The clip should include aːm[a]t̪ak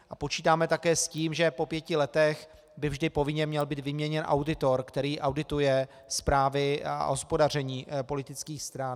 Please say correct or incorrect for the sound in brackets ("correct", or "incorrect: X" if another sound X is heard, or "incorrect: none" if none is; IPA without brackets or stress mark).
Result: incorrect: ɛ